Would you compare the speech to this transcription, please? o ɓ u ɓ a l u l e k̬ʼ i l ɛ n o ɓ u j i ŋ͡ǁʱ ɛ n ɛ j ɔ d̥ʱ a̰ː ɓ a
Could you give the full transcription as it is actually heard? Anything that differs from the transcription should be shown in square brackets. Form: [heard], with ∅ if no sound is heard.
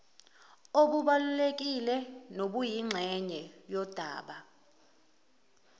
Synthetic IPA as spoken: o ɓ u ɓ a l u l e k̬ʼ i l ɛ n o ɓ u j i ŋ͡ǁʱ ɛ [ɲ] ɛ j ɔ d̥ʱ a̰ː ɓ a